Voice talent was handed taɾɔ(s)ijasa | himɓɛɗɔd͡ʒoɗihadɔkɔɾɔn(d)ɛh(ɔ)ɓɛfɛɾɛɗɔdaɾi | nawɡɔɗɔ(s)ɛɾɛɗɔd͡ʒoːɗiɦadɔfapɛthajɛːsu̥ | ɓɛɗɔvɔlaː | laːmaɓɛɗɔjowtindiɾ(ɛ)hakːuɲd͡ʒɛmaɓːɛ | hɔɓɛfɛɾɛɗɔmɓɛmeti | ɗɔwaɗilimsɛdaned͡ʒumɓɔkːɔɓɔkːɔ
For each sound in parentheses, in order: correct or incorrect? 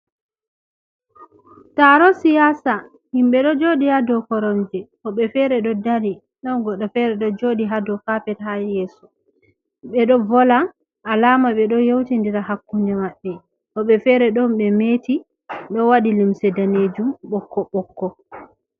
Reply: correct, incorrect, correct, incorrect, incorrect

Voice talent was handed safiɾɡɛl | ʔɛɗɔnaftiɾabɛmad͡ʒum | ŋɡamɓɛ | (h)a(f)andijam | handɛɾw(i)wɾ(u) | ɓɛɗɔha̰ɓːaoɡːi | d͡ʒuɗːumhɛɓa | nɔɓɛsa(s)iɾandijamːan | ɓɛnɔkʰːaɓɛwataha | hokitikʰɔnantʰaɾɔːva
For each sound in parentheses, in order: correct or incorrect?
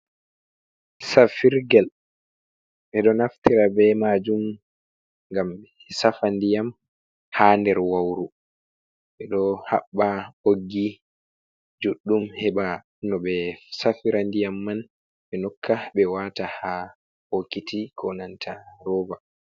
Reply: incorrect, correct, incorrect, correct, incorrect

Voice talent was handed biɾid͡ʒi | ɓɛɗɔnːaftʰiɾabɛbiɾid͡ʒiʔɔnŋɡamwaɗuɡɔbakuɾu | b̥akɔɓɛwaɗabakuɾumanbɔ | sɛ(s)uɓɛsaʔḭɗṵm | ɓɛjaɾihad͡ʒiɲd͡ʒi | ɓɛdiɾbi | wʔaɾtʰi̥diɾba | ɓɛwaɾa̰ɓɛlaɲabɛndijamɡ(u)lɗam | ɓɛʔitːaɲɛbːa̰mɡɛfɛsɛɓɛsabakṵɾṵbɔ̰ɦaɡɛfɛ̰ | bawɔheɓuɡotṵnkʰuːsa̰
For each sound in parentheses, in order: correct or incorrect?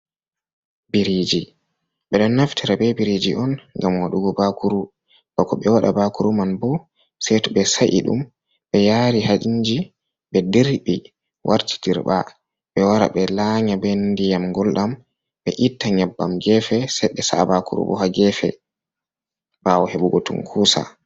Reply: incorrect, incorrect

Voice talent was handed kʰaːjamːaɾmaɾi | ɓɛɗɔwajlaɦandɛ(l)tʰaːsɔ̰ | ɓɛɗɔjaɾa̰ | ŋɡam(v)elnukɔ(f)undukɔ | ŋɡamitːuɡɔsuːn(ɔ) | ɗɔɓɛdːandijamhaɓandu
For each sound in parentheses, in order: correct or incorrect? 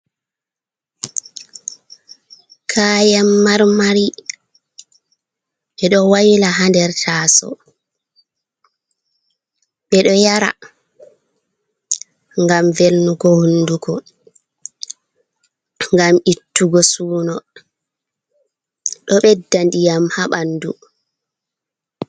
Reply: incorrect, correct, incorrect, correct

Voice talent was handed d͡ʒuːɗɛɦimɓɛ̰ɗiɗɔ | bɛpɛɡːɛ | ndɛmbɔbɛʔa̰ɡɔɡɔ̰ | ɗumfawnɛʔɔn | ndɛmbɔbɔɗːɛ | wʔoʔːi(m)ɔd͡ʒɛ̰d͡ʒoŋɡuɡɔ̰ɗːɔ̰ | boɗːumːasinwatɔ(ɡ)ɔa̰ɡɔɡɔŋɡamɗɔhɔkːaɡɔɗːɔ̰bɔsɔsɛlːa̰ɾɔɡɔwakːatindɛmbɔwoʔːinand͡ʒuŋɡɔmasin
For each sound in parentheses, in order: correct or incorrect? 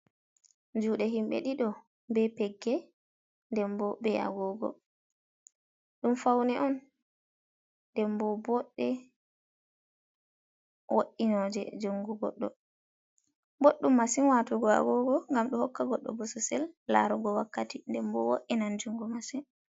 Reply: incorrect, correct

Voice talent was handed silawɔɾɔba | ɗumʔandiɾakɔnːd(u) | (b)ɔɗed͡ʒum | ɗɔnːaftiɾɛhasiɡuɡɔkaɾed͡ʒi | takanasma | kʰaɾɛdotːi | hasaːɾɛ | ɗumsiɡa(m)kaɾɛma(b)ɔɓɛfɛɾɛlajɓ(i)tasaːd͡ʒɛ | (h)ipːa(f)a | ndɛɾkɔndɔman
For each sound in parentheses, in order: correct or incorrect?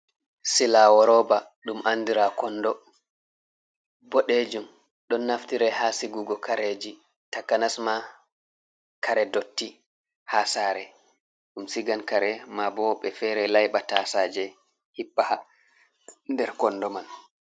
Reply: incorrect, correct, incorrect, correct, incorrect, correct, incorrect

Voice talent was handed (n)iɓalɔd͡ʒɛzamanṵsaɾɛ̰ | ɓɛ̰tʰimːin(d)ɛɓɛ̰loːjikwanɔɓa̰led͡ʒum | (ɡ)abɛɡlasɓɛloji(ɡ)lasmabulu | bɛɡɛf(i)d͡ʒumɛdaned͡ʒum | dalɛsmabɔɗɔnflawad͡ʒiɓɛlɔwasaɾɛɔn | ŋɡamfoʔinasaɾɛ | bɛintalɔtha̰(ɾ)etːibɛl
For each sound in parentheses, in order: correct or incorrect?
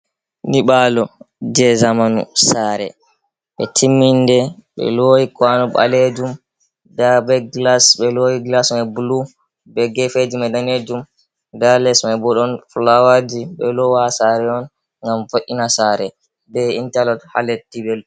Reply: correct, correct, incorrect, correct, incorrect, incorrect

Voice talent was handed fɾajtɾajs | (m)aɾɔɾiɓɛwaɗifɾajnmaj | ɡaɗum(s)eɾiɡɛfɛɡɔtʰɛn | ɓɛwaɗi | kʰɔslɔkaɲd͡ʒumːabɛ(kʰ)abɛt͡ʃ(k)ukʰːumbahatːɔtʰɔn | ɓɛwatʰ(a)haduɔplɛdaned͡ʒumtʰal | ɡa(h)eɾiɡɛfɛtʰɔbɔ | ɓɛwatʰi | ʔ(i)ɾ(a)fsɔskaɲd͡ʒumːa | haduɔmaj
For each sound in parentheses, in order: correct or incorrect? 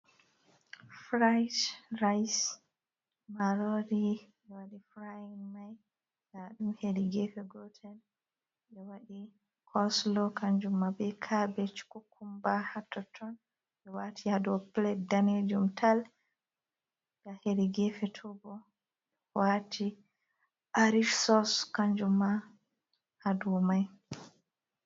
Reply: correct, incorrect, correct, correct, incorrect, correct, incorrect, incorrect

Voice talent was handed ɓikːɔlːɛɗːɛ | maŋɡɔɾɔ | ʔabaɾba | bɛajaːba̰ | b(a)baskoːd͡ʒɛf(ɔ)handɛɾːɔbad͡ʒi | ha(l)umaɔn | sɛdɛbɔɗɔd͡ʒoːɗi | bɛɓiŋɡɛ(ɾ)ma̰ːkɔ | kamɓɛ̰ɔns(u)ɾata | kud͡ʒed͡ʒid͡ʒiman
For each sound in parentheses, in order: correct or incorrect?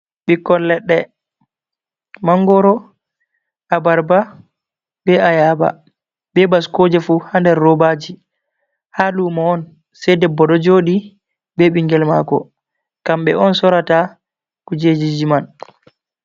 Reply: incorrect, incorrect, correct, incorrect, incorrect

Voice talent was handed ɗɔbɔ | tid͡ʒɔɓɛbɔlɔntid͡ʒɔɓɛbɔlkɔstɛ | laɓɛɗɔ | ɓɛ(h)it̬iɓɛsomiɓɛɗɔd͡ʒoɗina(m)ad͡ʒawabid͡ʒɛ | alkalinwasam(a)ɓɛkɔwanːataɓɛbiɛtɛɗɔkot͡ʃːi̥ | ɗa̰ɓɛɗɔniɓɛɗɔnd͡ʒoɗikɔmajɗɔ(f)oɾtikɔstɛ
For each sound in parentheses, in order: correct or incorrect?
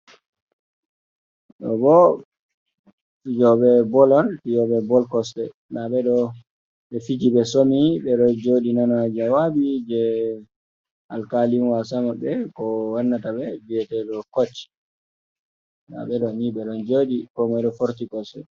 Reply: incorrect, incorrect, correct, correct

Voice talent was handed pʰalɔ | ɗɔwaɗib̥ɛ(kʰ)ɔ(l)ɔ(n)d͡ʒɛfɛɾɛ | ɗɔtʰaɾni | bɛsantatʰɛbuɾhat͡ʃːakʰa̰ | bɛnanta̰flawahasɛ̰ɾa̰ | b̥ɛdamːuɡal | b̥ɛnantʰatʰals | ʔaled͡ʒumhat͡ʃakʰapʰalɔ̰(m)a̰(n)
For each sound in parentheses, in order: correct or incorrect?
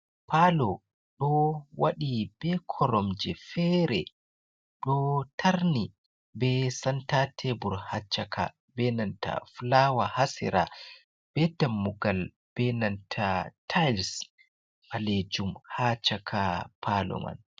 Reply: correct, incorrect, incorrect, correct, correct

